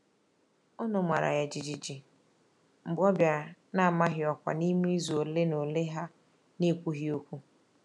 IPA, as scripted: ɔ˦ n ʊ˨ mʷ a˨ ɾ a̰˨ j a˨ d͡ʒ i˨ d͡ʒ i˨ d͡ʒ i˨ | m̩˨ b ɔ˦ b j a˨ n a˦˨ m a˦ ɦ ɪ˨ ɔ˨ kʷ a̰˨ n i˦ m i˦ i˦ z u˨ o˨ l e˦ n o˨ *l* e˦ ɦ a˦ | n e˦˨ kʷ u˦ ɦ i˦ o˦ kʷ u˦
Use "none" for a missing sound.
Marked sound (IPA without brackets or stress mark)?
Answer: l